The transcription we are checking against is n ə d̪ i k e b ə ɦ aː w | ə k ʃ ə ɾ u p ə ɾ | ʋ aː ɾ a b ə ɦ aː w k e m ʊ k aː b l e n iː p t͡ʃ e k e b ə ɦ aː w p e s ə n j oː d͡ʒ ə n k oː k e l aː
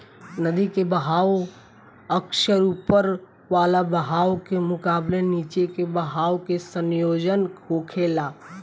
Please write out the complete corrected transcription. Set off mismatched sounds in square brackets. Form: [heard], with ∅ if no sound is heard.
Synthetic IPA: n ə d̪ i k e b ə ɦ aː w | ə k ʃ ə ɾ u p ə ɾ | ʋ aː [l] a b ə ɦ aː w k e m ʊ k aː b l e n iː [∅] t͡ʃ e k e b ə ɦ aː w [k] e s ə n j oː d͡ʒ ə n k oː [kʰ] e l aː